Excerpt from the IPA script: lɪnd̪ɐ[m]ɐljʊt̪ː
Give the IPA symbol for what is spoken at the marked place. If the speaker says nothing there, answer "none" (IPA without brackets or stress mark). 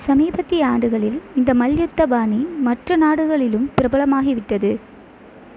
m